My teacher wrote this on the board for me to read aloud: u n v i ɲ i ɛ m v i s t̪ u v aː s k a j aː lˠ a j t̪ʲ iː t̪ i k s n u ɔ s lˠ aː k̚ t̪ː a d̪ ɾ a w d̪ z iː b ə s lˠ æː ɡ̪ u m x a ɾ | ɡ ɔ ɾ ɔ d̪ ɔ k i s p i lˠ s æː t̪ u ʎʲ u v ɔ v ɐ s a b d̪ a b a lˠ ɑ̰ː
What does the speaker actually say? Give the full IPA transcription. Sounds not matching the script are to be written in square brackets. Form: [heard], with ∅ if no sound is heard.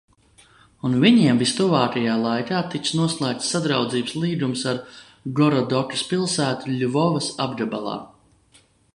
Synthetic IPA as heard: u n v i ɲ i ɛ m v i s t̪ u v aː [∅] k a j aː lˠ a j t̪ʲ [aː] t̪ i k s n u ɔ s lˠ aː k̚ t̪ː a d̪ ɾ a w d̪ z iː b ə s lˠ [iː] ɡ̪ u m [s] a ɾ | ɡ ɔ ɾ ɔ d̪ ɔ k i s p i lˠ s æː t̪ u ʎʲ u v ɔ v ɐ s a b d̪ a b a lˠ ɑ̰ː

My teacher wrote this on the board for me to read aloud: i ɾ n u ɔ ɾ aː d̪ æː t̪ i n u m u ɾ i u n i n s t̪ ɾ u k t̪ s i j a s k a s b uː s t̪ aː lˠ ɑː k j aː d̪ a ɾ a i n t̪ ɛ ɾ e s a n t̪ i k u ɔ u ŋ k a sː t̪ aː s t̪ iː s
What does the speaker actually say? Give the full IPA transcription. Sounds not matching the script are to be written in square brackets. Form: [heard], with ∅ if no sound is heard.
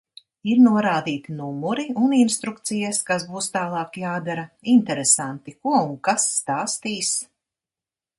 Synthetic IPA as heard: i ɾ n u ɔ ɾ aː d̪ [iː] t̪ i n u m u ɾ i u n i n s t̪ ɾ u k t̪ s i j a s k a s b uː s t̪ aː lˠ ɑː k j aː d̪ a ɾ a i n t̪ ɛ ɾ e s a n t̪ i k u ɔ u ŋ k a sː t̪ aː s t̪ iː s

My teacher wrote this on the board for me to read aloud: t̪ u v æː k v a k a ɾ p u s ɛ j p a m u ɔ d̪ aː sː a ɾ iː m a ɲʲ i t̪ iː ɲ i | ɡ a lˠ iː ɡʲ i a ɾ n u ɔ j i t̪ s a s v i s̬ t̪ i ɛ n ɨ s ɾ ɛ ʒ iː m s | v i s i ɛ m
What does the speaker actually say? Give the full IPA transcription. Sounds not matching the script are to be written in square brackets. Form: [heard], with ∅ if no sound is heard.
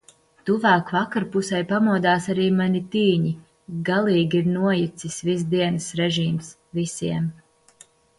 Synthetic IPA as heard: t̪ u v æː k v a k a ɾ p u s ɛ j p a m u ɔ d̪ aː [s] a ɾ iː m a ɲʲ i t̪ iː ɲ i | ɡ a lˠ iː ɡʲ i [i] ɾ n u ɔ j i t̪ s [i] s v i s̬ [d̪] i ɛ n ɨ s ɾ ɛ ʒ iː m s | v i s i ɛ m

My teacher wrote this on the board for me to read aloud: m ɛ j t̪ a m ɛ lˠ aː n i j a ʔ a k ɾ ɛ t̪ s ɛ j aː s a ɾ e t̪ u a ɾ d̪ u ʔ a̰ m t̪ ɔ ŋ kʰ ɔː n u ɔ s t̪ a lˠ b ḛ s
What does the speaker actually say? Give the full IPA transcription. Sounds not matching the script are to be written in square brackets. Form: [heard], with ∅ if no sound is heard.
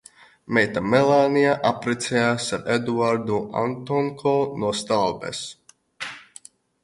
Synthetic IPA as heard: m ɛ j t̪ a m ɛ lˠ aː n i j a ʔ a [p] ɾ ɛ t̪ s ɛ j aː s a ɾ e [d̪] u a ɾ d̪ u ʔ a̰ [n] t̪ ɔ ŋ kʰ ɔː n u ɔ s t̪ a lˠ b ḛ s

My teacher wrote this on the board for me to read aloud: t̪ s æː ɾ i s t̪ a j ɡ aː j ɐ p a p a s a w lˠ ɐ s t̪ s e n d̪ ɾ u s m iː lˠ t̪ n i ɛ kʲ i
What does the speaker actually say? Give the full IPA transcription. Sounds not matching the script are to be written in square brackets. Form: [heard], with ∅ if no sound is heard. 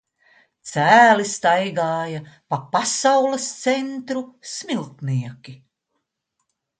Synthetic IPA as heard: t̪ s æː [l] i s t̪ a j ɡ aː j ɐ p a p a s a w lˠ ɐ s t̪ s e n [t̪] ɾ u s m [i] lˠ t̪ n i ɛ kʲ i

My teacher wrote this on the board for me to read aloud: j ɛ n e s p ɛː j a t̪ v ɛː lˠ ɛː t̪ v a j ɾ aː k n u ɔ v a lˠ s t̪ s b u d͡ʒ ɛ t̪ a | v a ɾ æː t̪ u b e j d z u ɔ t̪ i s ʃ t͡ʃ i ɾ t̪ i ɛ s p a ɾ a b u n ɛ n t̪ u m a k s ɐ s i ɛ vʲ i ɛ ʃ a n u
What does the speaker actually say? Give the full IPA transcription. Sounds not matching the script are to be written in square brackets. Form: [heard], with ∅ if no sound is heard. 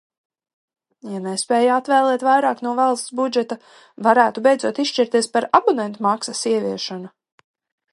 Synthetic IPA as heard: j [a] n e s p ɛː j a t̪ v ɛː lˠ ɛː t̪ v a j ɾ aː k n u ɔ v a lˠ s t̪ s b u d͡ʒ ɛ t̪ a | v a ɾ æː t̪ u b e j d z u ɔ t̪ i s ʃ t͡ʃ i ɾ t̪ i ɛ s p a ɾ a b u n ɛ n t̪ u m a k s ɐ s i ɛ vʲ i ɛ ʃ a n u

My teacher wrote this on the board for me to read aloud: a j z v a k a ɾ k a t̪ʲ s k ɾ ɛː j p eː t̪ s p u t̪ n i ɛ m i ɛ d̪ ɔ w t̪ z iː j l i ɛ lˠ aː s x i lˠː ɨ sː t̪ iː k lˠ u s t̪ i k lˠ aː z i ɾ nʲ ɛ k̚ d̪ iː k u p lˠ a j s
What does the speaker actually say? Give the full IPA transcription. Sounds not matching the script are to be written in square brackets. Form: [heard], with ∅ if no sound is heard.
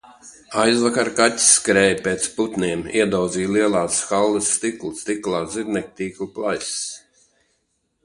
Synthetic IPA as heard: a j z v a k a ɾ k a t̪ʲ s k ɾ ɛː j p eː t̪ s p u t̪ n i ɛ m i ɛ d̪ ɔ w [d̪] z iː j l i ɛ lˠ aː s x [a] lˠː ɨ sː t̪ [i] k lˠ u s t̪ i k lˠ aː z i ɾ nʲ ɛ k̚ [t̪] iː k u p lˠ a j s

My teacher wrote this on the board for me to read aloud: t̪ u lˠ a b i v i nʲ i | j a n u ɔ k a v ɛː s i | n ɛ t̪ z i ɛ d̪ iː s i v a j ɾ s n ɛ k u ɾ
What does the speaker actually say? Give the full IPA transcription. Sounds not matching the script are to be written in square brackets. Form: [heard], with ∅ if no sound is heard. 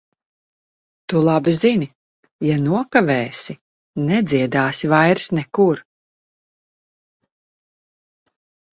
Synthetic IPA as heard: t̪ u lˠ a b i [z] i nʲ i | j a n u ɔ k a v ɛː s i | n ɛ [d̪] z i ɛ d̪ [aː] s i v a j ɾ s n ɛ k u ɾ

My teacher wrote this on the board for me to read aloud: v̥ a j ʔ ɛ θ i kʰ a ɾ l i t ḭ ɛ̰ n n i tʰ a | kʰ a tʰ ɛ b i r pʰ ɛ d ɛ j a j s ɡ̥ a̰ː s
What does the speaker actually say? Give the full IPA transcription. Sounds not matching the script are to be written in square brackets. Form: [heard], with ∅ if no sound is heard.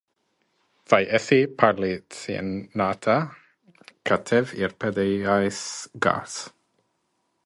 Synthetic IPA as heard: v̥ a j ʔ ɛ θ i [pʰ] a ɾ l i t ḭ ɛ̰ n n [a] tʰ a | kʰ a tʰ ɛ [v] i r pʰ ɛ d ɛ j a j s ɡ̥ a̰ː s

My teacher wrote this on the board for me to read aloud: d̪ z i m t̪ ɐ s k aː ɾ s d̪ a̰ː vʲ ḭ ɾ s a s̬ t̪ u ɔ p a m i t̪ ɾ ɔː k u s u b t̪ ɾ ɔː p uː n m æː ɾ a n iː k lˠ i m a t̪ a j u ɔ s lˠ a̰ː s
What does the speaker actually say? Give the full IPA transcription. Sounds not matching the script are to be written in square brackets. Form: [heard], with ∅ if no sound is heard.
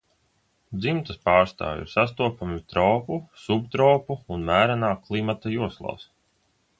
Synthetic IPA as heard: d̪ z i m t̪ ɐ s [p] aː ɾ s [t̪] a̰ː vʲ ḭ ɾ s a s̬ t̪ u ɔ p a m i t̪ ɾ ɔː [p] u s u b t̪ ɾ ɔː p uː n m æː ɾ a n [aː] k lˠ i m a t̪ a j u ɔ s lˠ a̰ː s

